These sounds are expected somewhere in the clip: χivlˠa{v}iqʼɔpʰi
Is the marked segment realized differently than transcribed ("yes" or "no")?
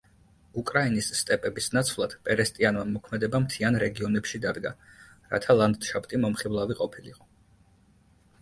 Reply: no